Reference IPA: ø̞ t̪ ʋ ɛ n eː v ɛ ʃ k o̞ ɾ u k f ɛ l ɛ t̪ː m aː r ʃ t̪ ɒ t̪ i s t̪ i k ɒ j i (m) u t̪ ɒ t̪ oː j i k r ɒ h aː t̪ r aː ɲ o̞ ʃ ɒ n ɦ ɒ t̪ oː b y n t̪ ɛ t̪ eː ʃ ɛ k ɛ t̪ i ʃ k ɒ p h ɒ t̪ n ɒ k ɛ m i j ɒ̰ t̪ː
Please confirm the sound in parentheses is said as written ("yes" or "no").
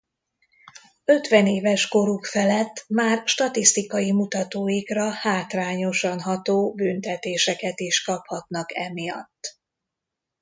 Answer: yes